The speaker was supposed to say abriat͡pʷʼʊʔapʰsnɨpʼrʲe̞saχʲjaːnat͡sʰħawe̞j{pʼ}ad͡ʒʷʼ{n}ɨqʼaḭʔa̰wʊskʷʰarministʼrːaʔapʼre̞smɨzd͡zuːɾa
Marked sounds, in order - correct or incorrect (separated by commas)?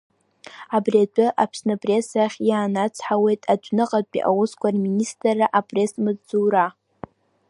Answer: incorrect, correct